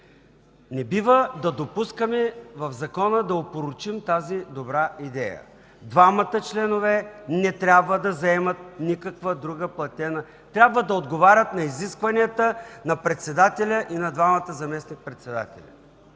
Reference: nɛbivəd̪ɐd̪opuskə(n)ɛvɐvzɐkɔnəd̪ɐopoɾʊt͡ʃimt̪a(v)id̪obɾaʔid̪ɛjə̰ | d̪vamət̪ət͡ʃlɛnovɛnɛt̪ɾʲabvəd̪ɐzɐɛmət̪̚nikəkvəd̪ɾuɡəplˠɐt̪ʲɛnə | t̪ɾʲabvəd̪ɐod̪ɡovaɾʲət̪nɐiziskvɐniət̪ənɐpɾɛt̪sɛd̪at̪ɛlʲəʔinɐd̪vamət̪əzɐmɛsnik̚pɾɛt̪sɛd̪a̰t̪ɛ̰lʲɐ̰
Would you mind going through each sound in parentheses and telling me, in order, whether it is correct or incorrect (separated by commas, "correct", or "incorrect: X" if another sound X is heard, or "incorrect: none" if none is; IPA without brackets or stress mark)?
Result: incorrect: m, incorrect: z